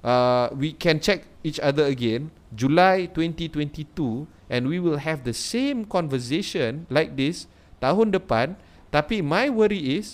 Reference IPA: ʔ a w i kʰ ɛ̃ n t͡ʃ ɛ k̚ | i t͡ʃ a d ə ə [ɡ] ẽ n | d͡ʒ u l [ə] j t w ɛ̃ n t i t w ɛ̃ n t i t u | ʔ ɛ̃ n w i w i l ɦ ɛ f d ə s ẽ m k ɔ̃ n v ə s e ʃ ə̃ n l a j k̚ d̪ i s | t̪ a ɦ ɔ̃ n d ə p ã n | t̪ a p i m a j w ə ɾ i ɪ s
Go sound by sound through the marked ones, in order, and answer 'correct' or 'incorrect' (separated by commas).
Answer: correct, incorrect